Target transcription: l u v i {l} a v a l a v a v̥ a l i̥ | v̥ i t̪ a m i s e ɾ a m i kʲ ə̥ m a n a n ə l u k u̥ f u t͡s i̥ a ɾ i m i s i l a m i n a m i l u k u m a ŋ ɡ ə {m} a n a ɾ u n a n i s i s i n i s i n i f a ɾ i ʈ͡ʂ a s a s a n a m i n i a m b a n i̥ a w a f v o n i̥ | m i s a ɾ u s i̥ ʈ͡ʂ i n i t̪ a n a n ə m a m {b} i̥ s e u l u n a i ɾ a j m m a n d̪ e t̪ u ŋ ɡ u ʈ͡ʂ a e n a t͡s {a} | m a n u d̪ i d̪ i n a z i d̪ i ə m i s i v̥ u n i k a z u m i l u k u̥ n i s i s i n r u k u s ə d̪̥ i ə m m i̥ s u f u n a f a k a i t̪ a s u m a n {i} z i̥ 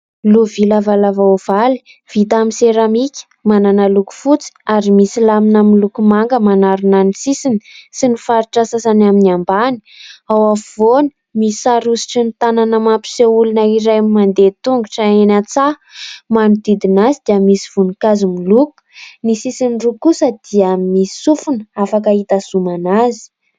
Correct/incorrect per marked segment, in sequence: correct, correct, incorrect: p, correct, incorrect: a

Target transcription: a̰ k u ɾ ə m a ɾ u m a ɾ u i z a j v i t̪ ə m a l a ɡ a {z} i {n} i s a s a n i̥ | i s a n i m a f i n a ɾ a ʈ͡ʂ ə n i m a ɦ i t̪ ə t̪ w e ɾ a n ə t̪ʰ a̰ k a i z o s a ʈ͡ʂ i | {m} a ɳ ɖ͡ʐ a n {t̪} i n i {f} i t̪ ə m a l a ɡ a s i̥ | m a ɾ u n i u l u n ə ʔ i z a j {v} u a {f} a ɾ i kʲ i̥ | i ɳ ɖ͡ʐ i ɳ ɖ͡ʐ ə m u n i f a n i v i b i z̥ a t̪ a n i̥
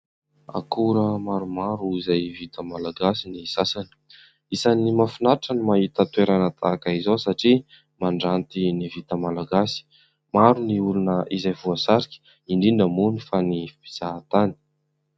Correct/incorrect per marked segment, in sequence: incorrect: s, correct, correct, correct, incorrect: v, correct, incorrect: s

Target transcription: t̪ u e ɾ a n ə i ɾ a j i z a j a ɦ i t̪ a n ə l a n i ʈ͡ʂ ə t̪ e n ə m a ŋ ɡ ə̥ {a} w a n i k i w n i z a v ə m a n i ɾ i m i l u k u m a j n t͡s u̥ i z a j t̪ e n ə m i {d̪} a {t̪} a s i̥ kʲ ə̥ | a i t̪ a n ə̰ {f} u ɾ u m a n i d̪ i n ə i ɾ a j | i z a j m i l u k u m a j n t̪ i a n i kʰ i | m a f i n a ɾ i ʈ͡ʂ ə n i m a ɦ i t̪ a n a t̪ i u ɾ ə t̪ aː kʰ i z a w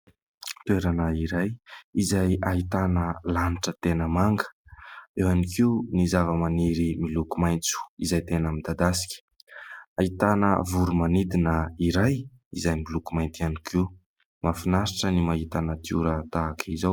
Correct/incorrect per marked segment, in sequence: incorrect: e, correct, incorrect: d̪, incorrect: v

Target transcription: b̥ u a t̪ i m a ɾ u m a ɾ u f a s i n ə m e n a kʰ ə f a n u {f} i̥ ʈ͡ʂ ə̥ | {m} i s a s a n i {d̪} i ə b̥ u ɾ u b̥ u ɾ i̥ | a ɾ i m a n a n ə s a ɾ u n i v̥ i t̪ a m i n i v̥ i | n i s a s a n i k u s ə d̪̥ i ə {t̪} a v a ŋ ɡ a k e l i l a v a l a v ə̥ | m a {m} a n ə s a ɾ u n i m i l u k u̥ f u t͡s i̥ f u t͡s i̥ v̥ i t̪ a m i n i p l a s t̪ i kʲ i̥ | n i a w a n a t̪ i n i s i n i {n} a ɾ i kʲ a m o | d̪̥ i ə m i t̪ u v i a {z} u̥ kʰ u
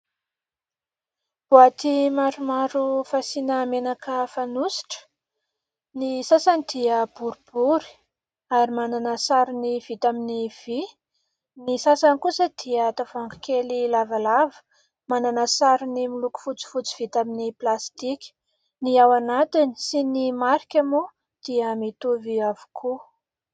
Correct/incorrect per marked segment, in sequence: incorrect: s, incorrect: n, correct, correct, incorrect: n, incorrect: m, incorrect: v

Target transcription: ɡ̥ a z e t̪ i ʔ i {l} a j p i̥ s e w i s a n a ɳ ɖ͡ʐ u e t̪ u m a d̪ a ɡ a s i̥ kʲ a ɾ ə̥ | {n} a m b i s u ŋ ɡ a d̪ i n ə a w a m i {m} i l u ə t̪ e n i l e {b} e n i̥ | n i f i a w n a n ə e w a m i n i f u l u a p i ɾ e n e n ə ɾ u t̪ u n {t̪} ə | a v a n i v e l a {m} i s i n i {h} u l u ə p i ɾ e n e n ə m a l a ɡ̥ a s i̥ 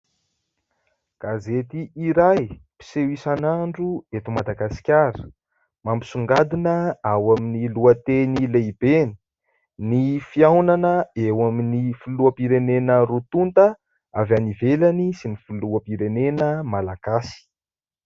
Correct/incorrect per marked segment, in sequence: incorrect: ɾ, incorrect: m, incorrect: n, correct, correct, incorrect: n, incorrect: f

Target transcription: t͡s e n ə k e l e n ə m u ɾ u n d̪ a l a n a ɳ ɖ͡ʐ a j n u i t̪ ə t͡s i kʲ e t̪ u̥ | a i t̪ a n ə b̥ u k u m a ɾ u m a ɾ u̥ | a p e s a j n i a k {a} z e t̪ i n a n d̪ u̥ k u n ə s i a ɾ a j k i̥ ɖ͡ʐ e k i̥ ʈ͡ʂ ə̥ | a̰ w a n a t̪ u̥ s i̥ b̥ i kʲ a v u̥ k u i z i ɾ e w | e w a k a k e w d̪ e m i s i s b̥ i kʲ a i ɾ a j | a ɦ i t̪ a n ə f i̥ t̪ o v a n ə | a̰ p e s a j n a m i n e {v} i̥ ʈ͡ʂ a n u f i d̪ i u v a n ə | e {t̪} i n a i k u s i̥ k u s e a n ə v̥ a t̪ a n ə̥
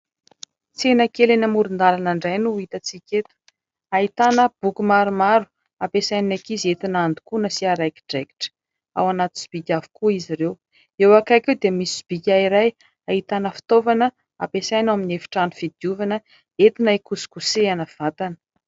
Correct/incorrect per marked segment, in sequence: incorrect: i, incorrect: f, correct

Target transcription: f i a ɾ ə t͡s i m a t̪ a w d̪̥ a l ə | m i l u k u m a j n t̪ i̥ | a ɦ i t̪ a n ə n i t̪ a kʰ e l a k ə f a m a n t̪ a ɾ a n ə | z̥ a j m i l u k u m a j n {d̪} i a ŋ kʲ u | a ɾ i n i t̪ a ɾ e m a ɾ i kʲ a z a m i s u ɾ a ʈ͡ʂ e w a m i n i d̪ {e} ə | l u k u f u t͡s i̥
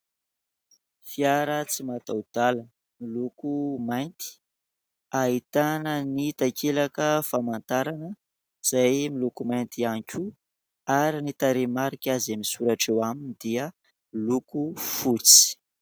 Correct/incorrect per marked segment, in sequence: incorrect: t̪, incorrect: i

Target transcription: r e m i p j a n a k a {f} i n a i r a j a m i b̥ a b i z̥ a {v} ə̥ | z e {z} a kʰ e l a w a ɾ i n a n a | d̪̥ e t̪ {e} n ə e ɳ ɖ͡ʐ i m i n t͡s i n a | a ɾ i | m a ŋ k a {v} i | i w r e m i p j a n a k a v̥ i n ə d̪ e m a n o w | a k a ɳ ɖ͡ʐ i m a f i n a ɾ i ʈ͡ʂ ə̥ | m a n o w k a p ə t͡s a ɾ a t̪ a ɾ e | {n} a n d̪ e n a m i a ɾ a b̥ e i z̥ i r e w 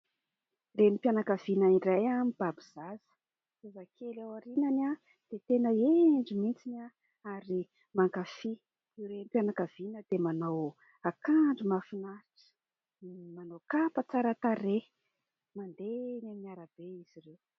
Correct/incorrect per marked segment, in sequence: incorrect: v, incorrect: z, correct, correct, incorrect: f, incorrect: m

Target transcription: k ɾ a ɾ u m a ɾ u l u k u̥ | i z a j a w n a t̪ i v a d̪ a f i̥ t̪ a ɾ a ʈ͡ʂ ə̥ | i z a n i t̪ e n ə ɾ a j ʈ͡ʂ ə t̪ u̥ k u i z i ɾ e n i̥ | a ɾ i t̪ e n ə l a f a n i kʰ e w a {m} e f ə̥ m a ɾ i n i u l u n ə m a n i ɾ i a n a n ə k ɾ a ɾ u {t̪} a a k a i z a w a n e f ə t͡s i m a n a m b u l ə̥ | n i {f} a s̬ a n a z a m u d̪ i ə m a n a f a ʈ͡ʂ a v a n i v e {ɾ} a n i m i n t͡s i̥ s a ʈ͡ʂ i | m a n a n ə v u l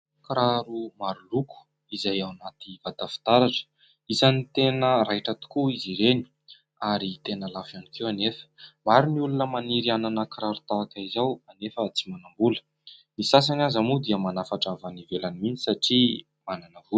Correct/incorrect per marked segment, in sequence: incorrect: n, correct, incorrect: s, incorrect: l

